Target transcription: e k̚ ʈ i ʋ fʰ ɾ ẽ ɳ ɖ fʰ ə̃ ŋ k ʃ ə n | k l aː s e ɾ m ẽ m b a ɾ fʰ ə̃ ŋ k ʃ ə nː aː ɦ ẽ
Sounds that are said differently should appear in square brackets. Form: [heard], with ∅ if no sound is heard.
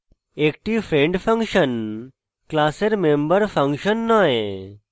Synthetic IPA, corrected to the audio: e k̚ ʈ i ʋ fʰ ɾ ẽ ɳ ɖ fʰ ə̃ ŋ k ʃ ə n | k l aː s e ɾ m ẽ m b [ə] ɾ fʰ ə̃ ŋ k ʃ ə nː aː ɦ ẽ